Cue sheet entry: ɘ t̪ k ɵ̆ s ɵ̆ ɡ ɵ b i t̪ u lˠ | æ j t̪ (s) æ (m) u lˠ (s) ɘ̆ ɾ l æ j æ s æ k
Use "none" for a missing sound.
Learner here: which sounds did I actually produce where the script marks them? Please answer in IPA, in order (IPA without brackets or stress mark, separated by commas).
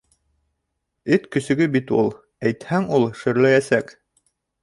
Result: h, ŋ, ʃ